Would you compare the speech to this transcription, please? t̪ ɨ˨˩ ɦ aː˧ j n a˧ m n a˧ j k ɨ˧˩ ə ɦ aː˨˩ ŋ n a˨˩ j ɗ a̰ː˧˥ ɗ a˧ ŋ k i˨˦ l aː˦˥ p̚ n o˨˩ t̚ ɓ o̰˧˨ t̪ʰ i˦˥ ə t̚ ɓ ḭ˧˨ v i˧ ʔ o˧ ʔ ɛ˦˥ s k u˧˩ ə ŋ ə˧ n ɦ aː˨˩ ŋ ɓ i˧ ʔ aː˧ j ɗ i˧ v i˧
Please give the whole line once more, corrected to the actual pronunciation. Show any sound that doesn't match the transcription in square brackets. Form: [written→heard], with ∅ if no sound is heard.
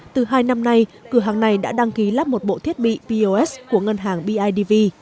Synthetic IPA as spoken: t̪ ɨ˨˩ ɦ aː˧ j n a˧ m n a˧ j k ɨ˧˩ ə ɦ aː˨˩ ŋ n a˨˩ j ɗ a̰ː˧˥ ɗ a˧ ŋ k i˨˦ l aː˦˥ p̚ [n→m] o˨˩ t̚ ɓ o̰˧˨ t̪ʰ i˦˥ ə t̚ ɓ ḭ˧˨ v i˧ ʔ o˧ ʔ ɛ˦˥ s k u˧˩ ə ŋ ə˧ n ɦ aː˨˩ ŋ ɓ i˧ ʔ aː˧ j ɗ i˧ v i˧